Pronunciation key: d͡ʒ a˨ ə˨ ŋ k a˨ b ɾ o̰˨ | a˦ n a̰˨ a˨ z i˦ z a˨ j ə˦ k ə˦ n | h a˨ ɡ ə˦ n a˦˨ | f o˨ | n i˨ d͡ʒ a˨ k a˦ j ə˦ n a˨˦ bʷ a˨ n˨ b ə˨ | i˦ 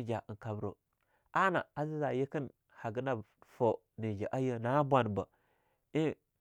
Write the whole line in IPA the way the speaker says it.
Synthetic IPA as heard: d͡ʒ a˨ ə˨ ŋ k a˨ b ɾ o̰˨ | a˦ n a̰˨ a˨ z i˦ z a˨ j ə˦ k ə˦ n | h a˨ ɡ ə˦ n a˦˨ | f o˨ | n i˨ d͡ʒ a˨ ʔ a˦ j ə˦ n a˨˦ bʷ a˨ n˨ b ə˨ | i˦

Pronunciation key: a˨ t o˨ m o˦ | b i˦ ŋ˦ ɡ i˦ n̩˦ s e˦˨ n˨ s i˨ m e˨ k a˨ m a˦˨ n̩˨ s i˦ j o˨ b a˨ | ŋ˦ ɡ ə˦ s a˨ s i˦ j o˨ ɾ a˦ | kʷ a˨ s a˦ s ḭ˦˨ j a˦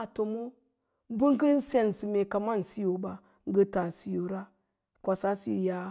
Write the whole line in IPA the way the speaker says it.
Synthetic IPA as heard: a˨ t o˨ m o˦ | b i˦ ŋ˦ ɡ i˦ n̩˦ s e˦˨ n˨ s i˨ m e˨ k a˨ m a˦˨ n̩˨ s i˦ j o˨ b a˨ | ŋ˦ ɡ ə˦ t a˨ s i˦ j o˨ ɾ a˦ | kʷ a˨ s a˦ s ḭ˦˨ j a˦

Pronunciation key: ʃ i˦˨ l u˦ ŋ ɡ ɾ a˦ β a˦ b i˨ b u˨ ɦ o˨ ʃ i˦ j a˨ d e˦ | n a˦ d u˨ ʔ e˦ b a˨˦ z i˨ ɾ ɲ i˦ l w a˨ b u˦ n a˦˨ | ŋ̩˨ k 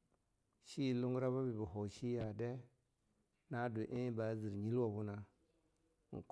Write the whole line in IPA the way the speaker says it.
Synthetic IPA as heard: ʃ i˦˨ l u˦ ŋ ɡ ɾ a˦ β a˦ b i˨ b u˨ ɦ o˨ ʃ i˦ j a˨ d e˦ | n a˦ d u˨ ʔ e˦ b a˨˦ z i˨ ɾ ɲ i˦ l w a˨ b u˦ n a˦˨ | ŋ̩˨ k

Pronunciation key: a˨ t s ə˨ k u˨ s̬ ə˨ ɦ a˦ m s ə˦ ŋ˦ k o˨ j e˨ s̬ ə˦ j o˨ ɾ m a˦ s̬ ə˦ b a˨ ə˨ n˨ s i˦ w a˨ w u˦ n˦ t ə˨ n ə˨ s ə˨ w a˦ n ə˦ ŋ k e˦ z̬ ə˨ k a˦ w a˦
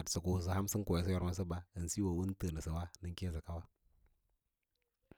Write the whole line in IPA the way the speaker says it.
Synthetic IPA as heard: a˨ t s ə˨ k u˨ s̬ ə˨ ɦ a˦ m s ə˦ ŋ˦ k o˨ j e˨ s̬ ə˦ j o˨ ɾ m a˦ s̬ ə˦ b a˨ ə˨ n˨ s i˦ w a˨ w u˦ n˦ t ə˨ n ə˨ s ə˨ w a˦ n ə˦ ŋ k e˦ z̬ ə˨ k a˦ w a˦

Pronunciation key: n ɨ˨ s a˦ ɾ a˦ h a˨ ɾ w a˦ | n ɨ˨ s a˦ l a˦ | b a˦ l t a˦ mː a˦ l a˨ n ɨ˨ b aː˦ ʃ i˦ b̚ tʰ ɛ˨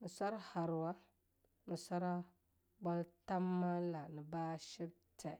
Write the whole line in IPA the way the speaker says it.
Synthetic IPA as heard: n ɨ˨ s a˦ ɾ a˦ h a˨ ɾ w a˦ | n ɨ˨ s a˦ ɾ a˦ | b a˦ l t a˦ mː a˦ l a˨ n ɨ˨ b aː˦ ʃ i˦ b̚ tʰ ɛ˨

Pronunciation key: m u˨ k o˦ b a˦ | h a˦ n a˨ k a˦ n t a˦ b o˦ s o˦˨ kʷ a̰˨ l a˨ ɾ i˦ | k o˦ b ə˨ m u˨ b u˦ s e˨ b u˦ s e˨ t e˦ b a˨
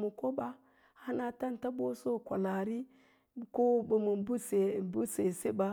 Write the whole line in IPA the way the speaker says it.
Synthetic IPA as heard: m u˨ k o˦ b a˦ | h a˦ n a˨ t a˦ n t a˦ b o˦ s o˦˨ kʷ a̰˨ l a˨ ɾ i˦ | k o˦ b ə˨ m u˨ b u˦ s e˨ b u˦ s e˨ s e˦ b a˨

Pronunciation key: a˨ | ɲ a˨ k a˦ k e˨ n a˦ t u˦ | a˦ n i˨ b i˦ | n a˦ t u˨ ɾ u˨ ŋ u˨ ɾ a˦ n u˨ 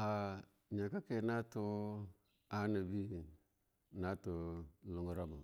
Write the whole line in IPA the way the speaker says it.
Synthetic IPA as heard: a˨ | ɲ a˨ k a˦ k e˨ n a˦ t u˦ | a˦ n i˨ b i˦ | n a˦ t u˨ l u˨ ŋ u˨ ɾ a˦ m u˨

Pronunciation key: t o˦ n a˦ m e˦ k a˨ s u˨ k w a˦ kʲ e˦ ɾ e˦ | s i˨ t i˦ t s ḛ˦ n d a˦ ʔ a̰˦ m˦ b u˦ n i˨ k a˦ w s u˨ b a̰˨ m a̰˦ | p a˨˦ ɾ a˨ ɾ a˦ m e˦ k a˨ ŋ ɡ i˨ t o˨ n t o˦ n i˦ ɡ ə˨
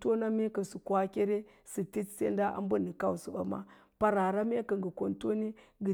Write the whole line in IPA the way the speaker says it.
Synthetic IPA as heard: t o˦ n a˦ m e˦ k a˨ s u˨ k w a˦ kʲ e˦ ɾ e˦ | s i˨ t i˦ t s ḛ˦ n d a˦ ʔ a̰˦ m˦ b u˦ n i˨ k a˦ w s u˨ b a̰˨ m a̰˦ | p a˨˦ ɾ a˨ ɾ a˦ m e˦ k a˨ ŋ ɡ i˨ k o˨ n t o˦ n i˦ ɡ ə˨

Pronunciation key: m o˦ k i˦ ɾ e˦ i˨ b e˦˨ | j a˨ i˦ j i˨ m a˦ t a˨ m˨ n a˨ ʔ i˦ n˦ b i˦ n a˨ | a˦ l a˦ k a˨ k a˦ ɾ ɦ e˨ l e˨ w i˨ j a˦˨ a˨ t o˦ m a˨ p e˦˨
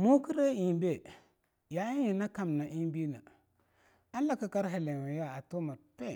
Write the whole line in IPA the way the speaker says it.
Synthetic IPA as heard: m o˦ k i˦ ɾ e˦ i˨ b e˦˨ | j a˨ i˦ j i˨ n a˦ k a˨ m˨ n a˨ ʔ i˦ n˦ b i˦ n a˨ | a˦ l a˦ k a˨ k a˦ ɾ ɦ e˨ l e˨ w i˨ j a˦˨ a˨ t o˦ m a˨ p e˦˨

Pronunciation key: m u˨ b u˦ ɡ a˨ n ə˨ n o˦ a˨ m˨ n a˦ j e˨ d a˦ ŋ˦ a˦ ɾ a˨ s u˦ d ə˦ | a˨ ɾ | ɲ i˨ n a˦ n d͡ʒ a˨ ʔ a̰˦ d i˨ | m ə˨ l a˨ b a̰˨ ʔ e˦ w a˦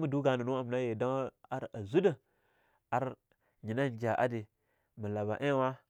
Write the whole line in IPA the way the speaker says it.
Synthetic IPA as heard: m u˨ d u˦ ɡ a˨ n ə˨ n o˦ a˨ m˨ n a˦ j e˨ d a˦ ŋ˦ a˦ ɾ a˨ z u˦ d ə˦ | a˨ ɾ | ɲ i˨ n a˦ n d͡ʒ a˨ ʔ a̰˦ d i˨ | m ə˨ l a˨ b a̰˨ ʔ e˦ w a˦

